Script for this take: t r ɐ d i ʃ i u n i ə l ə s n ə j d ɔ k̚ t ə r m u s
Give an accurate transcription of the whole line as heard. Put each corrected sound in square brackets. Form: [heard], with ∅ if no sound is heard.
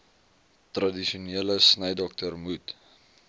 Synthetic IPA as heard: t r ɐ d i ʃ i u n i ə l ə s n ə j d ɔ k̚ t ə r m u [t]

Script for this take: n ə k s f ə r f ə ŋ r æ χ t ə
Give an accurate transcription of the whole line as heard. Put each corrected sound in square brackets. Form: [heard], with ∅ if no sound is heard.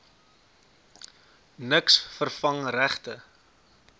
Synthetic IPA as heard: n ə k s f ə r f [ɐ] ŋ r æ χ t ə

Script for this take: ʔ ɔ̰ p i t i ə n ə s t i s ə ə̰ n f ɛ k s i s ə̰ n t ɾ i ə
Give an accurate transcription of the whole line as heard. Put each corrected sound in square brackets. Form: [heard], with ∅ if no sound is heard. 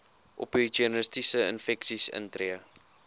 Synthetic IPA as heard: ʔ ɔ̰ p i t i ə n ə s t i s ə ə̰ n f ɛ k s i s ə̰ n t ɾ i ə

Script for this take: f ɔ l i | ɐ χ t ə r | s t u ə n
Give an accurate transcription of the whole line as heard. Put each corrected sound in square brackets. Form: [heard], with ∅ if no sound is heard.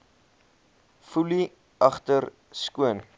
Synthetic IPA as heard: f [u] l i | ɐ χ t ə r | s [k] u ə n

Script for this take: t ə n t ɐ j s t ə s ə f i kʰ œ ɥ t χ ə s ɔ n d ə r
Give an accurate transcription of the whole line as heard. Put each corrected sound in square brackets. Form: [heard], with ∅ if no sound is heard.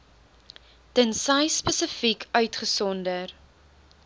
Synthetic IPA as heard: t ə n [s] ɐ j s [p] ə s ə f i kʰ œ ɥ t χ ə s ɔ n d ə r

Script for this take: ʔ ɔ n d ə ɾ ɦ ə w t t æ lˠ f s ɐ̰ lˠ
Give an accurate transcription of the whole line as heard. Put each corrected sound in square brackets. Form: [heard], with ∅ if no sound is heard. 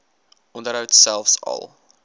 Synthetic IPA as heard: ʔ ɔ n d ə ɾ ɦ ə w t [s] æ lˠ f s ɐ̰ lˠ

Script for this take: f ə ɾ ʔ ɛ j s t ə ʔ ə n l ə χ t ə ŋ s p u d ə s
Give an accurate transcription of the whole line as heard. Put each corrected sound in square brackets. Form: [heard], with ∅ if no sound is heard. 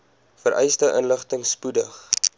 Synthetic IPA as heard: f ə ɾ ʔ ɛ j s t ə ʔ ə n l ə χ t ə ŋ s p u d ə [χ]

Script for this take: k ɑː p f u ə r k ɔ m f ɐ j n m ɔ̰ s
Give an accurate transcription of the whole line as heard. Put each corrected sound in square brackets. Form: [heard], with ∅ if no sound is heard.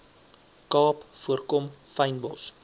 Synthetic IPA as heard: k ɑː p f u ə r k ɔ m f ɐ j n [b] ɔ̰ s

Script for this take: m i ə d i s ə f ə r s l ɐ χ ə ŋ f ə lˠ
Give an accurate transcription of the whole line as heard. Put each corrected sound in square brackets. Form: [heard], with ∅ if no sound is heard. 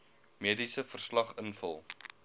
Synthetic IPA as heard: m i ə d i s ə f ə r s l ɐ χ ə [n] f ə lˠ

